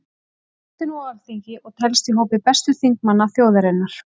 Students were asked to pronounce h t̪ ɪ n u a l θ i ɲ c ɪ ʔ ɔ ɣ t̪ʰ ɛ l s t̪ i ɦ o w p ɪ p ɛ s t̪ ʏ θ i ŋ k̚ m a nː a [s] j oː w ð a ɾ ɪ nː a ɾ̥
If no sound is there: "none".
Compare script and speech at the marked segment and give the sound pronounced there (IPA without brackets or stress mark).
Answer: θ